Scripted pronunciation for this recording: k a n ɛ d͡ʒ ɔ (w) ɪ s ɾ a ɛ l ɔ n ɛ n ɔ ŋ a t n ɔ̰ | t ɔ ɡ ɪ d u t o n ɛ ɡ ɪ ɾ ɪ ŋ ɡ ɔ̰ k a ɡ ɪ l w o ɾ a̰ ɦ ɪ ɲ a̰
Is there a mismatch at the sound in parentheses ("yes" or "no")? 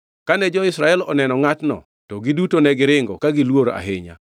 yes